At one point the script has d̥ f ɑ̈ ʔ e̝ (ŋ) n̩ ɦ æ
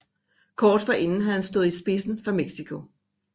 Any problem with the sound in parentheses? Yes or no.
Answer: yes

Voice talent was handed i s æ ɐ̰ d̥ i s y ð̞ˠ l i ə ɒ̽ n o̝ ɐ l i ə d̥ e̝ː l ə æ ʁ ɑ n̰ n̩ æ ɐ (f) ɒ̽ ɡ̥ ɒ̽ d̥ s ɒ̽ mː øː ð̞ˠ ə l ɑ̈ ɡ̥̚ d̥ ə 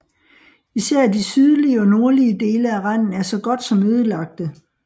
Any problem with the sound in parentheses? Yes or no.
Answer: yes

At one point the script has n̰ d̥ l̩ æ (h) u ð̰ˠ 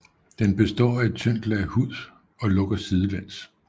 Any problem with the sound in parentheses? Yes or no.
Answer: no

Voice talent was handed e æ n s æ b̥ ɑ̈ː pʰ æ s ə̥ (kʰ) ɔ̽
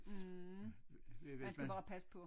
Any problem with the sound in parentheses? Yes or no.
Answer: yes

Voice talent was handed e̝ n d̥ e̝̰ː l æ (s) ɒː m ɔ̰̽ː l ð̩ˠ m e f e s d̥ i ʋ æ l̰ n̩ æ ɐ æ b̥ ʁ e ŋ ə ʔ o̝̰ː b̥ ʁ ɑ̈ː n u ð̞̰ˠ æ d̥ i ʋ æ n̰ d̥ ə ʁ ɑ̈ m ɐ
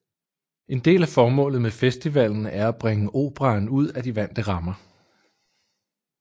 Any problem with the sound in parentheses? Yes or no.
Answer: yes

